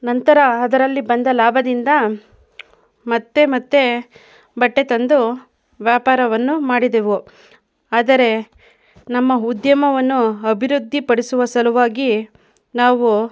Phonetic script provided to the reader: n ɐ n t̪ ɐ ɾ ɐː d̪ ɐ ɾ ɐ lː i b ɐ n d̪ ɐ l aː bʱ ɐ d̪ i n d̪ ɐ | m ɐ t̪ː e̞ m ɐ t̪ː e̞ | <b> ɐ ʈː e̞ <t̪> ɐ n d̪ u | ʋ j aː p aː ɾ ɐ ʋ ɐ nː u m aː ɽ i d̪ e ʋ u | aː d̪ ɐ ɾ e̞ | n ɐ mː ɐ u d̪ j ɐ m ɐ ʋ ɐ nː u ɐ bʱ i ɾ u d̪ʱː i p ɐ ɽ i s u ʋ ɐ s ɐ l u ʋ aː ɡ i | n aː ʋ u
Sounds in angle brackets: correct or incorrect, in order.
correct, correct

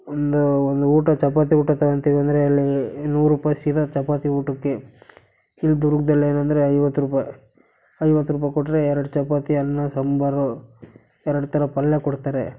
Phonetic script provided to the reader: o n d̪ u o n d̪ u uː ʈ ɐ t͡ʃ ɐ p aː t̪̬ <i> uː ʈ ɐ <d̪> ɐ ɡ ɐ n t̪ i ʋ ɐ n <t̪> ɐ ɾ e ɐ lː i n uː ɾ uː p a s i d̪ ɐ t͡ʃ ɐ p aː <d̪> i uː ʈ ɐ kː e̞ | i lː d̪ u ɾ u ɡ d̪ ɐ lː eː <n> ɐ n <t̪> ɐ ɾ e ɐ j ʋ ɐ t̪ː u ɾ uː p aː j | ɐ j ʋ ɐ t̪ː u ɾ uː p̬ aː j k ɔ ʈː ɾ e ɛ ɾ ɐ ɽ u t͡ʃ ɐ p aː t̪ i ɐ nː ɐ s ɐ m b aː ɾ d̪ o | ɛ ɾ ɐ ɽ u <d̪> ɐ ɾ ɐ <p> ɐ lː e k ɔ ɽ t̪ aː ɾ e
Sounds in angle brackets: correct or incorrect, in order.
correct, incorrect, incorrect, incorrect, correct, incorrect, incorrect, correct

